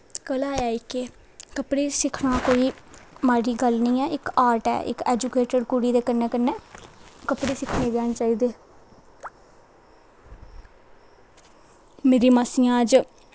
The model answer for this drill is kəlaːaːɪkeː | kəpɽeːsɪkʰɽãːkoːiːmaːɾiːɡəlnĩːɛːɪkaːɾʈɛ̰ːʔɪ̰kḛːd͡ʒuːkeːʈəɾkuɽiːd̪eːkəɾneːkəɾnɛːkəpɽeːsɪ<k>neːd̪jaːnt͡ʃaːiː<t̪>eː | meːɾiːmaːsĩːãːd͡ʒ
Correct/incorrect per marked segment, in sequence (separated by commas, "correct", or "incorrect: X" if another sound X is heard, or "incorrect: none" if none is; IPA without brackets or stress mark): incorrect: kʰ, incorrect: d̪